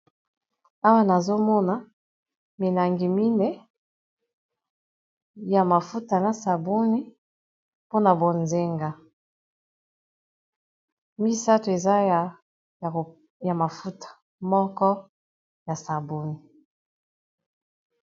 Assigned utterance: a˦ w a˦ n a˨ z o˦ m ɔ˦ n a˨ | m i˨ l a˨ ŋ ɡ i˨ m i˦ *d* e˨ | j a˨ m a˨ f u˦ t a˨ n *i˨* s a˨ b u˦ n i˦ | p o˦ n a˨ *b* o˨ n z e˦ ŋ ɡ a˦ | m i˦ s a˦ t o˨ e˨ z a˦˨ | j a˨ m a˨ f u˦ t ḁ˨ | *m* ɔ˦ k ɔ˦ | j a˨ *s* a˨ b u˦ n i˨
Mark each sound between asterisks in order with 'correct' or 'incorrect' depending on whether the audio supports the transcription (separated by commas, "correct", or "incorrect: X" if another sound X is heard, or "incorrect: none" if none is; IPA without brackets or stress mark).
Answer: incorrect: n, incorrect: a˨, correct, correct, correct